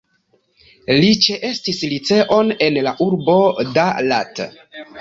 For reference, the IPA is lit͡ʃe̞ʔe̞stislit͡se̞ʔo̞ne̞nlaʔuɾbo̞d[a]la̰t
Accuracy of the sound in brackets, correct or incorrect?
correct